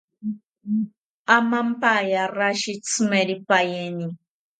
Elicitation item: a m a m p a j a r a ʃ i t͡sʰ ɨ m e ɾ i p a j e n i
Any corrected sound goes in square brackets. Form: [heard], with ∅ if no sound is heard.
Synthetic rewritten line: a m a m p a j a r a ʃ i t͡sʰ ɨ m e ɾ i p a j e n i